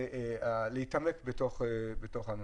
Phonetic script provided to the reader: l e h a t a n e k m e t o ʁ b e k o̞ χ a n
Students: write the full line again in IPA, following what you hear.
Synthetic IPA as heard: l e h i t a m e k b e t o χ b e t o̞ χ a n